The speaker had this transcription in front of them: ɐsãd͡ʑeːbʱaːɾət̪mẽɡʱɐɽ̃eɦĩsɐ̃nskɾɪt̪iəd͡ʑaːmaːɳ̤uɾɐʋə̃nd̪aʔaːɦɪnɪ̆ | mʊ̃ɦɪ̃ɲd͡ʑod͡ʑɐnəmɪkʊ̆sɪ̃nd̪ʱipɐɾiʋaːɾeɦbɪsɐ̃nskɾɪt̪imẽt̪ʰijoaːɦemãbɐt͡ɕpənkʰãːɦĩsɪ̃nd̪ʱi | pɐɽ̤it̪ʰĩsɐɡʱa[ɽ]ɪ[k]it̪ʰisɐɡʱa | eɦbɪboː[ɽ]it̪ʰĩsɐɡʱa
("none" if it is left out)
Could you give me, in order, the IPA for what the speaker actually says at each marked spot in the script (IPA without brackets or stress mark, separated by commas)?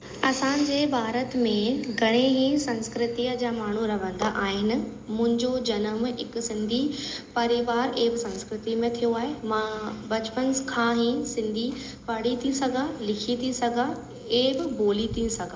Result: l, kʰ, l